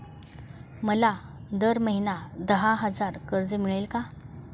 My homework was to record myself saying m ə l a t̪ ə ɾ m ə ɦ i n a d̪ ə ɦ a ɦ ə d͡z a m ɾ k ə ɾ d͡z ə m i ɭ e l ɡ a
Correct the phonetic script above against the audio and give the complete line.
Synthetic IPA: m ə l a d̪ ə ɾ m ə ɦ i n a d̪ ə ɦ a ɦ ə d͡z a ɾ k ə ɾ d͡z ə m i ɭ e l k a